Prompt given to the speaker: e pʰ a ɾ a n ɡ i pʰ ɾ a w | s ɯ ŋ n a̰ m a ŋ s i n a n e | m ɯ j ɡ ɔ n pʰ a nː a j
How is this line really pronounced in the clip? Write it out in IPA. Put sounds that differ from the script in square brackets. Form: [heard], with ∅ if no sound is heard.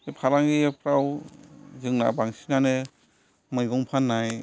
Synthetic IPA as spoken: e pʰ a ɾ a [ŋ] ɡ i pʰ ɾ a w | [z] ɯ ŋ n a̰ [b] a ŋ s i n a n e | m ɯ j ɡ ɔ [ŋ] pʰ a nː a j